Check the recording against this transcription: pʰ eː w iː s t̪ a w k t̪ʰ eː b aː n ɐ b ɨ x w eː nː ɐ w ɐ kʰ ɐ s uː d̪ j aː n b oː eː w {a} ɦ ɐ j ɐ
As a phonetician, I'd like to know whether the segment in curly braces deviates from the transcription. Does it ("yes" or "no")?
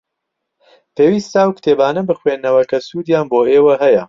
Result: yes